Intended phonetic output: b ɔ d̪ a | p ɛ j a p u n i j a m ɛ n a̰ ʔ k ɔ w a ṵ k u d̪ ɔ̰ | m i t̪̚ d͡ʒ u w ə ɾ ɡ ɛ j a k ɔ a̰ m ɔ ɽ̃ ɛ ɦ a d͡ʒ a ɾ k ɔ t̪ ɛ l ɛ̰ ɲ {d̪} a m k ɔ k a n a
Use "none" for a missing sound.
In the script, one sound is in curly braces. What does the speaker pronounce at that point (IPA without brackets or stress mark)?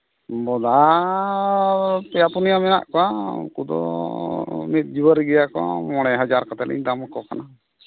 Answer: d̪